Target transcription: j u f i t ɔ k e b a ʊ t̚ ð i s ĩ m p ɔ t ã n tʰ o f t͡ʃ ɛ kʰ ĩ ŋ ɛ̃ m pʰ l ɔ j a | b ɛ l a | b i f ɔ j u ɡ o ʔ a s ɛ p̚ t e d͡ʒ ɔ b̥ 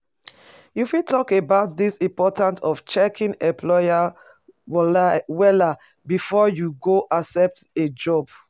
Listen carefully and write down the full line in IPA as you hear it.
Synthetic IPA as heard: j u f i t ɔ k e b a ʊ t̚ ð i s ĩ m p ɔ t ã n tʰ ɔ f t͡ʃ ɛ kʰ ĩ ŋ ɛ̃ m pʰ l ɔ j a | w ɛ l a | b i f ɔ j u ɡ o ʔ a s ɛ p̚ t e d͡ʒ ɔ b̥